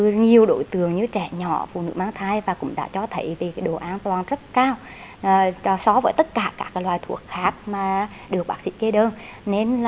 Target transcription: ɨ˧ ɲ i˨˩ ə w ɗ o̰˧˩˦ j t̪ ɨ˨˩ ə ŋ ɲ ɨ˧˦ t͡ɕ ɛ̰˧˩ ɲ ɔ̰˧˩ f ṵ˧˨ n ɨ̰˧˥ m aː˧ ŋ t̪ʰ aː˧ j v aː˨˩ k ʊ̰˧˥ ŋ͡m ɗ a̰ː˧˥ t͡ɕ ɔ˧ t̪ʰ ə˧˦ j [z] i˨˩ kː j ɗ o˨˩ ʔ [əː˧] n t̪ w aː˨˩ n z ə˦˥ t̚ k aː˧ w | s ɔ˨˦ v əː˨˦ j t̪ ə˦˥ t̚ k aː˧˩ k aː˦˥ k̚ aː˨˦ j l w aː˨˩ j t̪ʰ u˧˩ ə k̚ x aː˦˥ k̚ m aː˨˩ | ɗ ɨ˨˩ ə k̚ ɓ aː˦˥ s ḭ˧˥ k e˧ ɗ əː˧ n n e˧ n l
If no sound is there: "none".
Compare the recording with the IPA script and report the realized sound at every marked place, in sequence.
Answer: v, aː˧

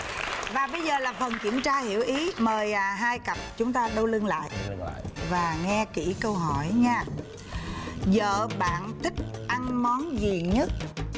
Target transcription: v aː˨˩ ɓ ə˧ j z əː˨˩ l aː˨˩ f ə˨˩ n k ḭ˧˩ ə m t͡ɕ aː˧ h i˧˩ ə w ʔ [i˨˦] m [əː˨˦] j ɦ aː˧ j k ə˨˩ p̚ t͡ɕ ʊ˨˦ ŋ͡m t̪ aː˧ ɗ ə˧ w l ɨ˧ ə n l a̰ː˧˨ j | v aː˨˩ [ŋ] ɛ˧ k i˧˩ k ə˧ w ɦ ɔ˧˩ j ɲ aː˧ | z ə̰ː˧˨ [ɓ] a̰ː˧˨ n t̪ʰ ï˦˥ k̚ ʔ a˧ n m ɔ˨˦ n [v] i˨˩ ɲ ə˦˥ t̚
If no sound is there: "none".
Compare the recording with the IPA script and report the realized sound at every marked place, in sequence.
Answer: i˨˦, əː˨˩, ŋ, ɓ, z

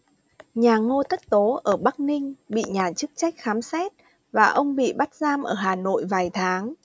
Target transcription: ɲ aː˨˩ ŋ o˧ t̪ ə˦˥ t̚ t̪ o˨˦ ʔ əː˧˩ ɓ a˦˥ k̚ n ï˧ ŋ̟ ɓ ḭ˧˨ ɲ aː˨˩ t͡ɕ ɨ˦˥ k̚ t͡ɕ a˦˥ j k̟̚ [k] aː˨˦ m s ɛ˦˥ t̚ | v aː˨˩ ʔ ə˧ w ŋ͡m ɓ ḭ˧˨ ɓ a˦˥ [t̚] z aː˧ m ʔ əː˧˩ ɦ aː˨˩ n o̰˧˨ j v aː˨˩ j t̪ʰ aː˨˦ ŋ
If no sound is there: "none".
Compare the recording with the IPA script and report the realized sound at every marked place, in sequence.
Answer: x, t̚

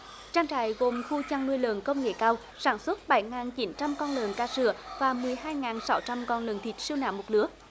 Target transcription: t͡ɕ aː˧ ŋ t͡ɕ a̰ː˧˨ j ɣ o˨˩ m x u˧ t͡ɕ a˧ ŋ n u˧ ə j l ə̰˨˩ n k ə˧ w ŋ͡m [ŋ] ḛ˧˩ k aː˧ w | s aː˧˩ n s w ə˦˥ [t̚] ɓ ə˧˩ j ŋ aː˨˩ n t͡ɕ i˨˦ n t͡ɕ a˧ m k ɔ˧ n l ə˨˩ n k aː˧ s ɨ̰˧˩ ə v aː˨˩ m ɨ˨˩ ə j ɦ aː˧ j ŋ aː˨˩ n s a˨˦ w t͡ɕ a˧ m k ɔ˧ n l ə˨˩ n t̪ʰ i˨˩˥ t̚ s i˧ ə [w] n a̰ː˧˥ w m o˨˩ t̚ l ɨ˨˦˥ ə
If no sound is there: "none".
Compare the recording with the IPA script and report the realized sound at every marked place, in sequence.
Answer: ŋ, t̚, w

